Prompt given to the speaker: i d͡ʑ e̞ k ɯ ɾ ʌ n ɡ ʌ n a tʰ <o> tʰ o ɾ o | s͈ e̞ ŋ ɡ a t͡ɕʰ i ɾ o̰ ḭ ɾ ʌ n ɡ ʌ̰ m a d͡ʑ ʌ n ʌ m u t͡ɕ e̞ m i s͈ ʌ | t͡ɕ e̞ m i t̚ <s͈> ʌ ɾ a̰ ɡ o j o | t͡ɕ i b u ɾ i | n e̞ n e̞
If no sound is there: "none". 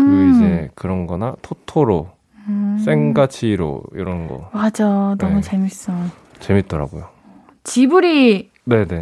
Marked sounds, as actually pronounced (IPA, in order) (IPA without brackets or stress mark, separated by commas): o, t͈